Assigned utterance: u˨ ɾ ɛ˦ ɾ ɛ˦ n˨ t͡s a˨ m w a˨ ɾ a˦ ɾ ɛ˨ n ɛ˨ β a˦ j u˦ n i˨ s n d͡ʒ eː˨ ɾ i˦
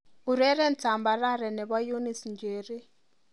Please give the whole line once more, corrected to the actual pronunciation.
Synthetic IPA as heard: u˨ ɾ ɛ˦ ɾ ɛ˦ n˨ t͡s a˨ m b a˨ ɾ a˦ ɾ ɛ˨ n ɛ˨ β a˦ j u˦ n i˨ s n d͡ʒ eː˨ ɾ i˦